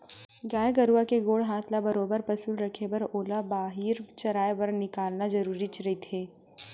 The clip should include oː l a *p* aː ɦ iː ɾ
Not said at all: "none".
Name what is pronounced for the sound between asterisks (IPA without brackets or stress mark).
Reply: b